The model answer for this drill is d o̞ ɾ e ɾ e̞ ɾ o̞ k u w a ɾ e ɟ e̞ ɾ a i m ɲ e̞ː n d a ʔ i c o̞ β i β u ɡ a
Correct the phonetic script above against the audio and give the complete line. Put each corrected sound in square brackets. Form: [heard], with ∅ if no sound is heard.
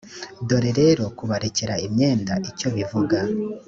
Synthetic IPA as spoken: d o̞ ɾ e ɾ e̞ ɾ o̞ k u [β] a ɾ e [c] e̞ ɾ a i m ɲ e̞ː n d a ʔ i c o̞ β i [v] u ɡ a